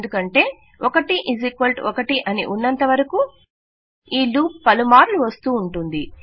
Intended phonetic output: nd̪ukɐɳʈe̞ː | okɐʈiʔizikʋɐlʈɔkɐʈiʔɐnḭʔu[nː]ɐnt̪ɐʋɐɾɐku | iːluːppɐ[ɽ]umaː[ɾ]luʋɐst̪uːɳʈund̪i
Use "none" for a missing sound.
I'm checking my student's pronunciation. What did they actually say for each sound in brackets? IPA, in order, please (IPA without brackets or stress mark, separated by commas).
nː, l, ɾ